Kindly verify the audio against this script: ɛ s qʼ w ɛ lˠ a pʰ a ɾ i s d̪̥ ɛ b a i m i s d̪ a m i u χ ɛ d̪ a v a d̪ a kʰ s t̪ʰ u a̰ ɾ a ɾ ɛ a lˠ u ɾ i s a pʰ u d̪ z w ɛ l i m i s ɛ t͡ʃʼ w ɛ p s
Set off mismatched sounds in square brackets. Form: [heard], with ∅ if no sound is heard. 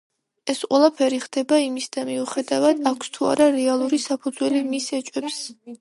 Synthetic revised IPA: ɛ s qʼ w ɛ lˠ a pʰ [ɛ] ɾ i [χ] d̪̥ ɛ b a i m i s d̪ a m i u χ ɛ d̪ a v a d̪ a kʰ s t̪ʰ u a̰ ɾ a ɾ ɛ a lˠ u ɾ i s a pʰ u d̪ z w ɛ l i m i s ɛ t͡ʃʼ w ɛ p s

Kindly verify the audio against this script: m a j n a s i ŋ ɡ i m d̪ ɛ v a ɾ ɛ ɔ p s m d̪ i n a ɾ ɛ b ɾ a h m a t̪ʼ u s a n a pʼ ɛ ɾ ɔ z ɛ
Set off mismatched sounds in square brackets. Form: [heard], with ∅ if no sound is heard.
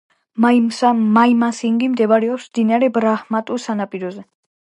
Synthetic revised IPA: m a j [m] a s i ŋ ɡ i m d̪ ɛ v a ɾ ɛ ɔ p s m d̪ i n a ɾ ɛ b ɾ a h m a t̪ʼ u s a n a pʼ [i] ɾ ɔ z ɛ

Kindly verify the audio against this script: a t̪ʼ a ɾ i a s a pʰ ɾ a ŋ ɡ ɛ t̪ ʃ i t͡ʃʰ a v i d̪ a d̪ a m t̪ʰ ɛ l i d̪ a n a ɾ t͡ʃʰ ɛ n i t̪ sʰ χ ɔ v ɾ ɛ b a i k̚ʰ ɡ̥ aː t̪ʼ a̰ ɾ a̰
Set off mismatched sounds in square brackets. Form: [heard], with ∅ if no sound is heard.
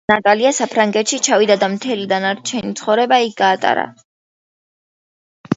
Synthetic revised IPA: a t̪ʼ a [l] i a s a pʰ ɾ a ŋ ɡ ɛ t̪ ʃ i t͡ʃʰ a v i d̪ a d̪ a m t̪ʰ ɛ l i d̪ a n a ɾ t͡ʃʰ ɛ n i t̪ sʰ χ ɔ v ɾ ɛ b a i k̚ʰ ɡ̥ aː t̪ʼ a̰ ɾ a̰

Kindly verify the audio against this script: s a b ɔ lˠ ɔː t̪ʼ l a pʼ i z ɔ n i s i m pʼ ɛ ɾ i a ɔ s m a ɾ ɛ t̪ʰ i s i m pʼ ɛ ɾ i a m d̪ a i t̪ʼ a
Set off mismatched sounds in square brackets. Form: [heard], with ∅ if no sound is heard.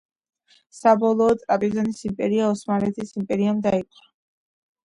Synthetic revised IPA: s a b ɔ lˠ ɔː t̪ʼ [ɾ] a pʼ i z ɔ n i s i m pʼ ɛ ɾ i a ɔ s m a [l] ɛ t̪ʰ i s i m pʼ ɛ ɾ i a m d̪ a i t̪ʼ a

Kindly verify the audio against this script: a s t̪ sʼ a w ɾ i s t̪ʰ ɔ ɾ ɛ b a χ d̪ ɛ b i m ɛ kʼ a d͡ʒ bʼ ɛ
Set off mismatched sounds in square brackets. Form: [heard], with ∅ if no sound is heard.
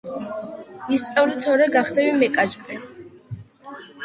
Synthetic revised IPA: [i] s t̪ sʼ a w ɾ i [∅] t̪ʰ ɔ ɾ ɛ [ɡ] a χ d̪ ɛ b i m ɛ kʼ a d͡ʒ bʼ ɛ

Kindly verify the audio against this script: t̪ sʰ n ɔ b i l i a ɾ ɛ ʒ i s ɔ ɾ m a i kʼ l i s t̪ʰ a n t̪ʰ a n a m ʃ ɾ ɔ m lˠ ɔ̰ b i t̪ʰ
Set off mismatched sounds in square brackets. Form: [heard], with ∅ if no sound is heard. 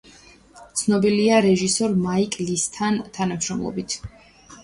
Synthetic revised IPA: t̪ sʰ n ɔ b i l i a ɾ ɛ ʒ i s ɔ ɾ m a i kʼ l i s t̪ʰ a n t̪ʰ a n a m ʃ ɾ ɔ m lˠ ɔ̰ b i t̪ʰ

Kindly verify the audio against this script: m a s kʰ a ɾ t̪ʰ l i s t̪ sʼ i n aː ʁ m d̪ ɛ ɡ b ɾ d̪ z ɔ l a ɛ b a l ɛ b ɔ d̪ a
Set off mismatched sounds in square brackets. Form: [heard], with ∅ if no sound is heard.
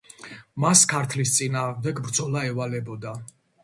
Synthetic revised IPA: m a s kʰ a ɾ t̪ʰ l i s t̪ sʼ i n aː ʁ m d̪ ɛ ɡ b ɾ d̪ z ɔ l a ɛ [v] a l ɛ b ɔ d̪ a

